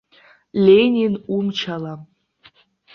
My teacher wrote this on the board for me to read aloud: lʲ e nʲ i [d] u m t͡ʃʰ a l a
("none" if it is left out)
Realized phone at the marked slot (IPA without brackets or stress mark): n